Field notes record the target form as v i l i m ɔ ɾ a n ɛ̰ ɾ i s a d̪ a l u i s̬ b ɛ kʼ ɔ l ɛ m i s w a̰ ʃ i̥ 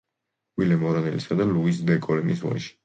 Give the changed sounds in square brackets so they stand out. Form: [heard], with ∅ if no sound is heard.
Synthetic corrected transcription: [w] i l [ɛ] m ɔ ɾ a n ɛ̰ [l] i s a d̪ a l u i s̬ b ɛ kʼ ɔ l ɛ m i s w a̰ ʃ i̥

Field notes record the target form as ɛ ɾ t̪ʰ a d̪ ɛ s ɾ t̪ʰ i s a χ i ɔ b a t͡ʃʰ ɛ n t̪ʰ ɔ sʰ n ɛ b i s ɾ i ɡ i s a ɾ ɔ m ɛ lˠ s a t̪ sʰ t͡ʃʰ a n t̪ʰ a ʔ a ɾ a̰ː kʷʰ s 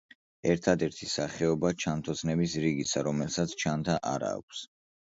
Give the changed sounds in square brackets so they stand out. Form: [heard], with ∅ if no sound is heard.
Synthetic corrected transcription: ɛ ɾ t̪ʰ a d̪ ɛ [∅] ɾ t̪ʰ i s a χ [ɛ] ɔ b a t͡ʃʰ [a] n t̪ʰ ɔ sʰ n ɛ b i s ɾ i ɡ i s a ɾ ɔ m ɛ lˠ s a t̪ sʰ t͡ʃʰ a n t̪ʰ a ʔ a ɾ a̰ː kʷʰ s

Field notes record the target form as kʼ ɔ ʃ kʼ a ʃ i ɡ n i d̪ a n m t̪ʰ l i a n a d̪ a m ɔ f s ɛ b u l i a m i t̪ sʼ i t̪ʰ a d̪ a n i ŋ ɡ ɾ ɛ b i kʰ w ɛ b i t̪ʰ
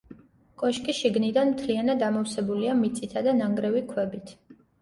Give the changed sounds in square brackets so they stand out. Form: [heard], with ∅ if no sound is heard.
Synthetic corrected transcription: kʼ ɔ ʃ kʼ [i] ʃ i ɡ n i d̪ a n m t̪ʰ l i a n a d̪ a m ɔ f s ɛ b u l i a m i t̪ sʼ i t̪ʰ a d̪ a n [a] ŋ ɡ ɾ ɛ [v] i kʰ w ɛ b i t̪ʰ

